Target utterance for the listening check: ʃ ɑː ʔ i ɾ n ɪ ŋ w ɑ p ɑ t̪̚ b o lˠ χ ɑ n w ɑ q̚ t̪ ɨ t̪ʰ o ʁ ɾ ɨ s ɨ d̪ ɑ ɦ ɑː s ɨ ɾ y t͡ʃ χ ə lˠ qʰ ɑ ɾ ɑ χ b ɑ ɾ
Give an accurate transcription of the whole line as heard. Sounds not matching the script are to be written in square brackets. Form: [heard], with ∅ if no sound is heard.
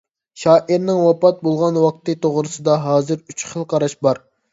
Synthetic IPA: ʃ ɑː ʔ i ɾ n ɪ ŋ w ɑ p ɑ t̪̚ b o lˠ [ʁ] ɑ n w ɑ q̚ t̪ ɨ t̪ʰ o ʁ ɾ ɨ s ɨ d̪ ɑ ɦ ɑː [z] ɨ ɾ y t͡ʃ χ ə lˠ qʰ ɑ ɾ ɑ [ʃ] b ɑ ɾ